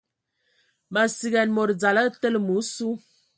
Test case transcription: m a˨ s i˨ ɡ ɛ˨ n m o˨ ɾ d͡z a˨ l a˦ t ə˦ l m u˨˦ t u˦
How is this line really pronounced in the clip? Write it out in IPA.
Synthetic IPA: m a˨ s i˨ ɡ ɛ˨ n m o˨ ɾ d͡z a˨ l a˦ t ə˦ l m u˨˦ s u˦